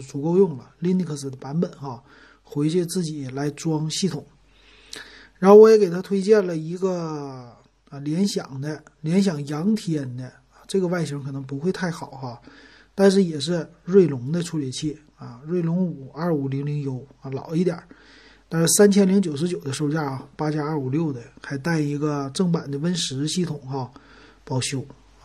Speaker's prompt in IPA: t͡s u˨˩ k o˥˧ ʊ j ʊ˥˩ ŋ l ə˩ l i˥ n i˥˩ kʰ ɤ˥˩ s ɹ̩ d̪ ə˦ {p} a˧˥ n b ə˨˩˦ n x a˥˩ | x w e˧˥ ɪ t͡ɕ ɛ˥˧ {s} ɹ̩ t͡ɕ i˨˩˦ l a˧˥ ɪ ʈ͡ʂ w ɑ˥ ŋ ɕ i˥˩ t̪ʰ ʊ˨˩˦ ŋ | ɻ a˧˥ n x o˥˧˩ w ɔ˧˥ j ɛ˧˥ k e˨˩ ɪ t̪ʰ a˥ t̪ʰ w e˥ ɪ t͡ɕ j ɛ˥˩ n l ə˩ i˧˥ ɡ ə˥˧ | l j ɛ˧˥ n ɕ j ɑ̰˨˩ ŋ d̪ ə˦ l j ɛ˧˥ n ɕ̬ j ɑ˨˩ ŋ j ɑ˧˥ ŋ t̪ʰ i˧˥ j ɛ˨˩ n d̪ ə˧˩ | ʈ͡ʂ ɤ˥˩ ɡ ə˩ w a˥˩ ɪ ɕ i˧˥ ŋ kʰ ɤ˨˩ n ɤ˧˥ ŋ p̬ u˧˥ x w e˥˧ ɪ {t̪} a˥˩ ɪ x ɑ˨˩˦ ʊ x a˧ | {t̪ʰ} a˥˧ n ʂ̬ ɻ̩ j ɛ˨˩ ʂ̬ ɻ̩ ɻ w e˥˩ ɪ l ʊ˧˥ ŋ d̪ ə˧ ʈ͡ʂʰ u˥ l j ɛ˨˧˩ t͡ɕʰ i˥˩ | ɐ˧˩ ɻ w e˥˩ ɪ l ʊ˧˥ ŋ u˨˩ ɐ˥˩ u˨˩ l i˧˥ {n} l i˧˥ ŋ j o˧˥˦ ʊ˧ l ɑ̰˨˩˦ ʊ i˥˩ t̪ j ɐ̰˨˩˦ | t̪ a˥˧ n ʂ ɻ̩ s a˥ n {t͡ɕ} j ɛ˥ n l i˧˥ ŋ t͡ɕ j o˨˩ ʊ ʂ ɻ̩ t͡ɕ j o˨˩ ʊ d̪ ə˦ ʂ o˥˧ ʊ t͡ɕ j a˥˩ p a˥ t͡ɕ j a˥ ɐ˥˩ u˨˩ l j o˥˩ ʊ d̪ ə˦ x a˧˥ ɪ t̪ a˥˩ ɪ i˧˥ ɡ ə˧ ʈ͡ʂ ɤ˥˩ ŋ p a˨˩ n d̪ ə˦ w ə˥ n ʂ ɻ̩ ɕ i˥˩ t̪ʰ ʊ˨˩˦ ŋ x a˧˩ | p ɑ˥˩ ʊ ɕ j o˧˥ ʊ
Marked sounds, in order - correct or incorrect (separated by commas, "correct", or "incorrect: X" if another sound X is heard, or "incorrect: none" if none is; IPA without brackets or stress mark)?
correct, incorrect: t͡s, incorrect: t̪ʰ, incorrect: t̪, incorrect: ŋ, incorrect: t͡ɕʰ